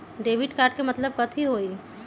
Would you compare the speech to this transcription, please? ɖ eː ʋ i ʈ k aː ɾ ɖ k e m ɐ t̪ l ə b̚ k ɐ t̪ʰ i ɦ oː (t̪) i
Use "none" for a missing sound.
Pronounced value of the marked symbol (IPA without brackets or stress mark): none